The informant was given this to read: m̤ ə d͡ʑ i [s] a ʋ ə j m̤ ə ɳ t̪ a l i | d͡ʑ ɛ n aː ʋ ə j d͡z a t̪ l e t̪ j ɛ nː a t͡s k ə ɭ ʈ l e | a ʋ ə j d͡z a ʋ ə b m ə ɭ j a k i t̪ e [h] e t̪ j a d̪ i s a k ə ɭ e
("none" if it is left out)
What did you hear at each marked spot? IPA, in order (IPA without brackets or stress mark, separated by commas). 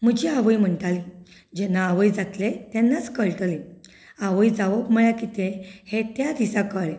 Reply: none, h